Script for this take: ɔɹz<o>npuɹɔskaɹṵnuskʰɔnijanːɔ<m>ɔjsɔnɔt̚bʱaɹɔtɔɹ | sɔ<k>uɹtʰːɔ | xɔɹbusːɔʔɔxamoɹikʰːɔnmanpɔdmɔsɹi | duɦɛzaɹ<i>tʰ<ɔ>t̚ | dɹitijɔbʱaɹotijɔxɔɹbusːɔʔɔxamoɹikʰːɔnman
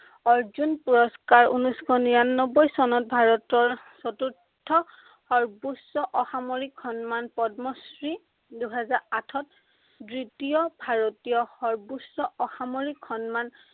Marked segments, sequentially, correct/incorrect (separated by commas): incorrect, incorrect, incorrect, incorrect, correct